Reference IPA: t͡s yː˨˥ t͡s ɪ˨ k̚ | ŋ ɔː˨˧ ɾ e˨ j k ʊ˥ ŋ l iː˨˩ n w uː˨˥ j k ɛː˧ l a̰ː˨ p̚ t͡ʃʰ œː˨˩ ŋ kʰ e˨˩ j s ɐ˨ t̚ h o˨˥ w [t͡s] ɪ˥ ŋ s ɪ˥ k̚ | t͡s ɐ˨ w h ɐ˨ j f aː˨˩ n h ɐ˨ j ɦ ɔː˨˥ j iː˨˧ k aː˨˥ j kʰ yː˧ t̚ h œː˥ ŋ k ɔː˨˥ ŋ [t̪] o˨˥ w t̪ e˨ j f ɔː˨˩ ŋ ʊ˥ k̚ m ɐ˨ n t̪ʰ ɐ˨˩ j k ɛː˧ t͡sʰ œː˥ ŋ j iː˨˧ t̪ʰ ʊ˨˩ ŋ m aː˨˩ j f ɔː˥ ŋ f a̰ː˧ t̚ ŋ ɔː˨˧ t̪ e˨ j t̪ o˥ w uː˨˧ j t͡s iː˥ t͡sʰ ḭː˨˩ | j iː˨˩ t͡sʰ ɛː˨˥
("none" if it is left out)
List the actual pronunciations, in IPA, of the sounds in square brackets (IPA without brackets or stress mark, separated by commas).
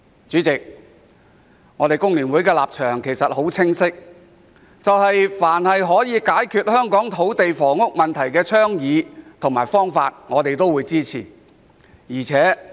t͡sʰ, t̪ʰ